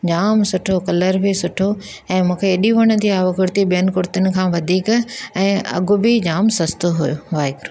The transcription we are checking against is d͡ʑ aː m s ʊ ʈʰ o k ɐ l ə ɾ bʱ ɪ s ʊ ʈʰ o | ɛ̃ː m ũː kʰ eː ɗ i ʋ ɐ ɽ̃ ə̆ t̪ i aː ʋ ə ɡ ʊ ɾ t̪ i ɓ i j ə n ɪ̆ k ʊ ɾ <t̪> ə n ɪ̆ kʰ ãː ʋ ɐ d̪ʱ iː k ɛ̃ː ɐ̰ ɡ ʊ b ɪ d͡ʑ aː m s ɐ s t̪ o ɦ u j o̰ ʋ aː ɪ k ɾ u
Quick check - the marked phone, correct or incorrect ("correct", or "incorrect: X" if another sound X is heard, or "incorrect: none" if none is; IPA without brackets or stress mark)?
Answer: correct